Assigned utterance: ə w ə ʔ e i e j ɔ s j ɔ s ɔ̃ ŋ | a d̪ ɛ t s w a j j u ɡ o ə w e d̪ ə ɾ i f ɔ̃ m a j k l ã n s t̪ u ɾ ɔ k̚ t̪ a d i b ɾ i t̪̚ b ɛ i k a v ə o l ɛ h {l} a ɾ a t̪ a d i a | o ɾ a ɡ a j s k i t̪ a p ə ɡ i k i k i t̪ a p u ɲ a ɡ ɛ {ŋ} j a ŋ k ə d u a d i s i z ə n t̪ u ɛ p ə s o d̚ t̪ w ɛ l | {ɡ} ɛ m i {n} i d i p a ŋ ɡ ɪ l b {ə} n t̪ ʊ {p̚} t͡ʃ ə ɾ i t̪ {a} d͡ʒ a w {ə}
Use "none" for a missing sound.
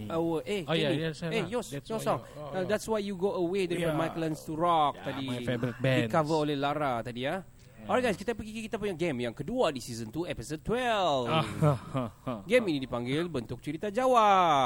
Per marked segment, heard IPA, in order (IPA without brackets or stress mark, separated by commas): l, m, ɡ, n, ə, k̚, a, a